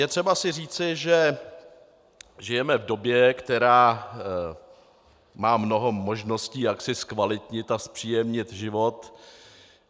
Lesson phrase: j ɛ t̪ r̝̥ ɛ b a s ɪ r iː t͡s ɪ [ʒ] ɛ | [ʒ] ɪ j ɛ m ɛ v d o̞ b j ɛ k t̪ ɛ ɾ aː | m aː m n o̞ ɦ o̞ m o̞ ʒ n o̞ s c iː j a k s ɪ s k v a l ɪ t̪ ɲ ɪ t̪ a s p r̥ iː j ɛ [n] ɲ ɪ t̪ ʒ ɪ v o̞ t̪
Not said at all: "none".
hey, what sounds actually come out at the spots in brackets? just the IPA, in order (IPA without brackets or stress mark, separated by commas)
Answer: ʒ, ʒ, m